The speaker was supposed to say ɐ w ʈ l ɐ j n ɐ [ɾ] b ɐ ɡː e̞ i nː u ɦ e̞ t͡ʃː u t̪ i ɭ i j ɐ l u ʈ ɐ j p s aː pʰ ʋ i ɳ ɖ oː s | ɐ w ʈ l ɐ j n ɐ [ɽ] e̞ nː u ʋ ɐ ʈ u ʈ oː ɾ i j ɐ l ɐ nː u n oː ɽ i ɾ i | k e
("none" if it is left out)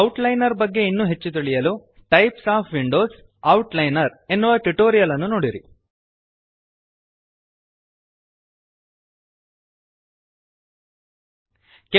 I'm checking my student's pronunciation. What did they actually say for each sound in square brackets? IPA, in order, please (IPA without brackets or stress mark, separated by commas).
ɾ, ɾ